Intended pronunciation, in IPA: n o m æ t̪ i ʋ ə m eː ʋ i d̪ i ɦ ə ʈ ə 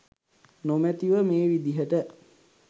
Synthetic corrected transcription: n o m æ t̪ i ʋ ə m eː ʋ i d̪ i ɦ ə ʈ ə